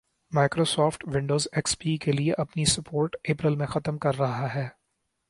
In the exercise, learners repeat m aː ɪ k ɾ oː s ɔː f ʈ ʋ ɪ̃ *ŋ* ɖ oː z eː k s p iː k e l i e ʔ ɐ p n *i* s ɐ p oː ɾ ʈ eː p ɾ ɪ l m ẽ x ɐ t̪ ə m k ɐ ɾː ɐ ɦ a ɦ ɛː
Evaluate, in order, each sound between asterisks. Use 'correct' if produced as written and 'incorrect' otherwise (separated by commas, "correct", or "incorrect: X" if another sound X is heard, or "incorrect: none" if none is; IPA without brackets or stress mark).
incorrect: ɳ, correct